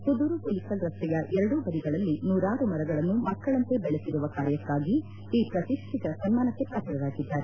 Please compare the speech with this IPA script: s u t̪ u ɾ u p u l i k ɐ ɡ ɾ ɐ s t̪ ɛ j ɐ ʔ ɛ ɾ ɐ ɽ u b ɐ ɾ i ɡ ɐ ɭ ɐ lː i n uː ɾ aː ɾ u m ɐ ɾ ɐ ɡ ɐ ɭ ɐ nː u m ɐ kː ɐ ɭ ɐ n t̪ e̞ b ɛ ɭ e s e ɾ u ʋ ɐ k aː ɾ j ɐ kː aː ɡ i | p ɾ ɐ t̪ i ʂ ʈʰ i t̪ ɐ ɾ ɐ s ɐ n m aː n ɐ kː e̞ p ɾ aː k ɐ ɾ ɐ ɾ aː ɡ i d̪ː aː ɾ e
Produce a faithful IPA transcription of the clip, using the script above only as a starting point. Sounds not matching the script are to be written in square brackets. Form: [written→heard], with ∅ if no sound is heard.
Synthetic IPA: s u [t̪→d̪] u ɾ u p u l i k ɐ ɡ ɾ ɐ s t̪ ɛ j ɐ ʔ ɛ ɾ ɐ ɽ u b ɐ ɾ i ɡ ɐ ɭ ɐ lː i n uː ɾ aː ɾ u m ɐ ɾ ɐ ɡ ɐ ɭ ɐ nː u m ɐ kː ɐ ɭ ɐ n t̪ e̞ b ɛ ɭ e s [e→i] ɾ u ʋ ɐ k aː ɾ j ɐ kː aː ɡ [i→iː] | p ɾ ɐ t̪ i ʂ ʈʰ i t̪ ɐ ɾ ɐ s ɐ n m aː n ɐ kː e̞ p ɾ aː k ɐ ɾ ɐ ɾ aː ɡ i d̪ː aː ɾ e